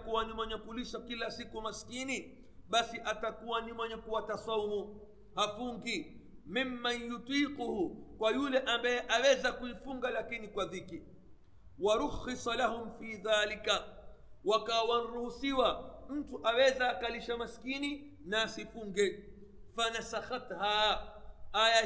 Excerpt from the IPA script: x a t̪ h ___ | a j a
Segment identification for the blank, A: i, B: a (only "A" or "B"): B